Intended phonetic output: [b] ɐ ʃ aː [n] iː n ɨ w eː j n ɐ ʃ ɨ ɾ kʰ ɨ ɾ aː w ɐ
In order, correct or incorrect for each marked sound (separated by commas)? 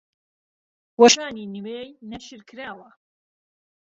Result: incorrect, correct